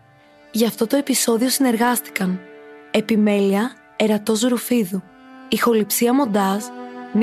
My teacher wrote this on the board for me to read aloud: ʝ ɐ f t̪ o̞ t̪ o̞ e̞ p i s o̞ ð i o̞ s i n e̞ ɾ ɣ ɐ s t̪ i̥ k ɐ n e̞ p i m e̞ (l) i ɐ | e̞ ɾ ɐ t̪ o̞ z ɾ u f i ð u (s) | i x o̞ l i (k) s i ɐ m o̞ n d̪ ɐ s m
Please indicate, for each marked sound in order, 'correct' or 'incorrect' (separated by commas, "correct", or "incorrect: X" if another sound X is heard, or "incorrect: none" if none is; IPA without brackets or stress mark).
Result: correct, incorrect: none, incorrect: p